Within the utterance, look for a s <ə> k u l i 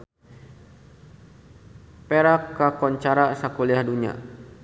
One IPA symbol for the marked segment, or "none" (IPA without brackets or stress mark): a